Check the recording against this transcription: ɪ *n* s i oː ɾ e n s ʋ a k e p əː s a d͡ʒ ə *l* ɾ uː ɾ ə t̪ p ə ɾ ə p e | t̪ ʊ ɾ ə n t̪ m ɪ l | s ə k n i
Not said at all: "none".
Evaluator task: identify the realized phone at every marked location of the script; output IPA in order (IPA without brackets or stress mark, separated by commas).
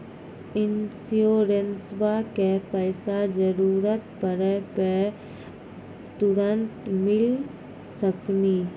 n, none